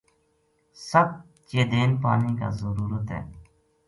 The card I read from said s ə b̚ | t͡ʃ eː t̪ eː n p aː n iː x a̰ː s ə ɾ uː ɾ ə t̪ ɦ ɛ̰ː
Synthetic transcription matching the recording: s ə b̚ | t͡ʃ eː d̪ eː n p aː n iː k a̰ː z ə ɾ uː ɾ ə t̪ ɦ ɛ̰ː